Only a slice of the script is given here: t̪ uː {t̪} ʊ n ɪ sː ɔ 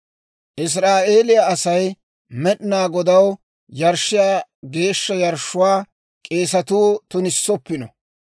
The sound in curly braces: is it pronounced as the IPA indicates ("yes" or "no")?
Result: yes